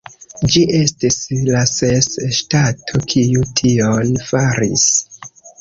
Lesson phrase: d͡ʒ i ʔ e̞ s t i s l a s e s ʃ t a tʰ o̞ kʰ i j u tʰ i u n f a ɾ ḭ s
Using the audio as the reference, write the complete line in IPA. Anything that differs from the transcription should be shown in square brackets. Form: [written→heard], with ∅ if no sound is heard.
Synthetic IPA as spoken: d͡ʒ i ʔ e̞ s t i s l a s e s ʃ t a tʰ o̞ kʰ i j u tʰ i [u→o] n f a ɾ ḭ s